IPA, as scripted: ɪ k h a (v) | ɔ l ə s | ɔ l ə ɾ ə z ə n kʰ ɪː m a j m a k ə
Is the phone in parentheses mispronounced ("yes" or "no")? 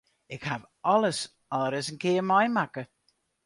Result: no